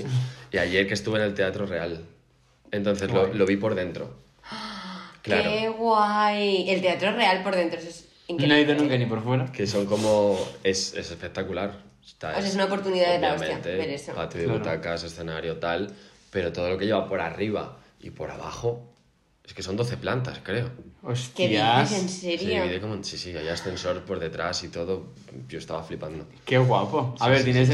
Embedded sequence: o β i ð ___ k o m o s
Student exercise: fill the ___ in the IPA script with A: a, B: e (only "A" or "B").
B